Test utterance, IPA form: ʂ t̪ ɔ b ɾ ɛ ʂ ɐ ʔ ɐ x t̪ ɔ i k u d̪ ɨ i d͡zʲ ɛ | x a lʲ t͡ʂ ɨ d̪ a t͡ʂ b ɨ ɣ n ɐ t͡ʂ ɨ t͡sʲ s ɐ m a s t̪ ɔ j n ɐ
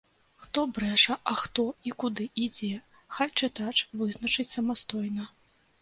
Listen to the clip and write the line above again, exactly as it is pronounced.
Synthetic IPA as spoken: x t̪ ɔ b ɾ ɛ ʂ ɐ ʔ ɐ x t̪ ɔ i k u d̪ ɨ i d͡zʲ ɛ | x a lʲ t͡ʂ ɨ t̪ a t͡ʂ v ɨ z n ɐ t͡ʂ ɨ t͡sʲ s ɐ m a s t̪ ɔ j n ɐ

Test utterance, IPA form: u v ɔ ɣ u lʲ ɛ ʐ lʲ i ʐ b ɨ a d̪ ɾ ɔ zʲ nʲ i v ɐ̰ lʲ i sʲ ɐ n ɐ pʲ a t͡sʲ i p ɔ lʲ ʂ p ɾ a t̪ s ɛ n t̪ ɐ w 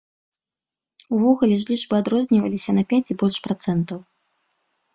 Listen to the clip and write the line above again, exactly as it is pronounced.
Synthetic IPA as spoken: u v ɔ ɣ u lʲ ɛ ʐ lʲ i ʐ b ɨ a d̪ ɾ ɔ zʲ nʲ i v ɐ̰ lʲ i sʲ ɐ n ɐ pʲ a t͡sʲ i b ɔ lʲ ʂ p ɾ a t̪ s ɛ n t̪ ɐ w

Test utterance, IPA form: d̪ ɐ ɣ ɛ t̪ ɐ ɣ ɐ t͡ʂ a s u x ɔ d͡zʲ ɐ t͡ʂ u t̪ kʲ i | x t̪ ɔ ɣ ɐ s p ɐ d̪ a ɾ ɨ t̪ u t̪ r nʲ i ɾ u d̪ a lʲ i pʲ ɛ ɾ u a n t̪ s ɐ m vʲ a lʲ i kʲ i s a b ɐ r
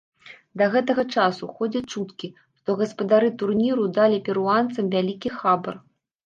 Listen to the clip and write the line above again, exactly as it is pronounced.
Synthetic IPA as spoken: d̪ ɐ ɣ ɛ t̪ ɐ ɣ ɐ t͡ʂ a s u x ɔ d͡zʲ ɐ t͡ʂ u t̪ kʲ i | ʂ t̪ ɔ ɣ ɐ s p ɐ d̪ a ɾ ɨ t̪ u r nʲ i ɾ u d̪ a lʲ i pʲ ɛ ɾ u a n t̪ s ɐ m vʲ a lʲ i kʲ i x a b ɐ r

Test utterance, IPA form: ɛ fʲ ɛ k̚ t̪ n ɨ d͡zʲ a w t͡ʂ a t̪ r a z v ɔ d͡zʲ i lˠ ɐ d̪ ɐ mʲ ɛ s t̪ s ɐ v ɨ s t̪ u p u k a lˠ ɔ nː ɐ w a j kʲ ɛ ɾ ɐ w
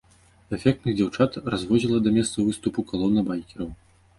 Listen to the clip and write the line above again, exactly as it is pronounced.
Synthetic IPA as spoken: ɛ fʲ ɛ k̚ t̪ n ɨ d͡zʲ a w t͡ʂ a t̪ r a z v ɔ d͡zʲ i lˠ ɐ d̪ ɐ mʲ ɛ s t̪ s ɐ v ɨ s t̪ u p u k a lˠ ɔ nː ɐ b a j kʲ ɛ ɾ ɐ w

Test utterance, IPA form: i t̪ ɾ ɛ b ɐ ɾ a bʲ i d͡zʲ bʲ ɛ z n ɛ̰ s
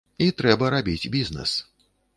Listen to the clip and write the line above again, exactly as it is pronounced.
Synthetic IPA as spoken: i t̪ ɾ ɛ b ɐ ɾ a bʲ i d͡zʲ bʲ i z n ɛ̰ s

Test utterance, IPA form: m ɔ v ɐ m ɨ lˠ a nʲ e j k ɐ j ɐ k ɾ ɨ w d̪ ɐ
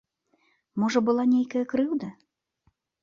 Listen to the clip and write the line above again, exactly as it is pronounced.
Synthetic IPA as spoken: m ɔ ʐ ɐ b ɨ lˠ a nʲ e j k ɐ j ɐ k ɾ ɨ w d̪ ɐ

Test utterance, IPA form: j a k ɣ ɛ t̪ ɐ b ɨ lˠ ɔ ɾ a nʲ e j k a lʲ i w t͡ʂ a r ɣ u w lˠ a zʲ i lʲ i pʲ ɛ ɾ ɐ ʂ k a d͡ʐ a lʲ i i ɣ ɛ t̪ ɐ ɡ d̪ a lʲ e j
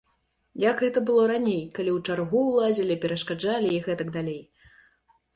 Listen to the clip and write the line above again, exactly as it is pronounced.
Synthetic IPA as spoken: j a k ɣ ɛ t̪ ɐ b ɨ lˠ ɔ ɾ a nʲ e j k a lʲ i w t͡ʂ a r ɣ u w lˠ a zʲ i lʲ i pʲ ɛ ɾ ɐ ʂ k a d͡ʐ a lʲ i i ɣ ɛ t̪ ɐ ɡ d̪ a lʲ e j

